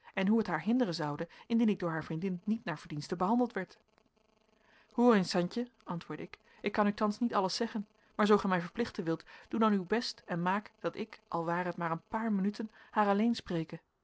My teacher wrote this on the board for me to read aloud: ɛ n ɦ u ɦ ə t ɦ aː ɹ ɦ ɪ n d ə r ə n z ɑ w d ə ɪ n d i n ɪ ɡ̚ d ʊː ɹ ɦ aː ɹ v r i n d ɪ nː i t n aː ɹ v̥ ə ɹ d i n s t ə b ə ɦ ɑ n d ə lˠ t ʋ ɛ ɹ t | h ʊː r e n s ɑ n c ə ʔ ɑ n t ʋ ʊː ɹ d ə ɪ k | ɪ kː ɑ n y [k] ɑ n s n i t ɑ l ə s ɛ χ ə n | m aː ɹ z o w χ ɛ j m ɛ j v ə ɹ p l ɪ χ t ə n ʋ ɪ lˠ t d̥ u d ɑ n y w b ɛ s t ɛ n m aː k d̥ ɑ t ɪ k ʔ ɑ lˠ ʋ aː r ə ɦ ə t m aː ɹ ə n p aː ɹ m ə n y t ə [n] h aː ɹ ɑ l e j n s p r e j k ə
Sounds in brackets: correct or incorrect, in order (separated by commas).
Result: incorrect, correct